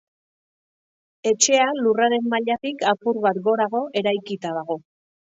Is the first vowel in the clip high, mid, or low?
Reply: mid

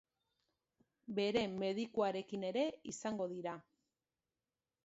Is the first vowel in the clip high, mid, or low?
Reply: mid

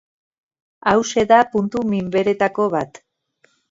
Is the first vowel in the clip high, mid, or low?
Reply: low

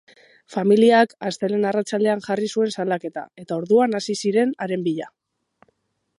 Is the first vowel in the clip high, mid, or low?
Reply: low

